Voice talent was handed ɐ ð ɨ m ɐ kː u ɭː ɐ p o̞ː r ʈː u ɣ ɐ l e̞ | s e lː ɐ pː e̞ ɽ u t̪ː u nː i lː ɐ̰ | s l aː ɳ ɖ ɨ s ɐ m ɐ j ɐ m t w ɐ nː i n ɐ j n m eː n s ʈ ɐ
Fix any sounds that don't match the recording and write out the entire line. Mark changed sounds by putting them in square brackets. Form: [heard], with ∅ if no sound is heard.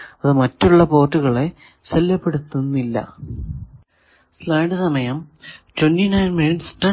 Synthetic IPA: ɐ ð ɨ m ɐ [tː] u ɭː ɐ p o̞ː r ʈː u ɣ ɐ [ɭ] e̞ | s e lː ɐ pː e̞ ɽ u t̪ː u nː i lː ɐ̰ | s l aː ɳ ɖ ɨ s ɐ m ɐ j ɐ m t w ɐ nː i n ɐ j n m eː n s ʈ ɐ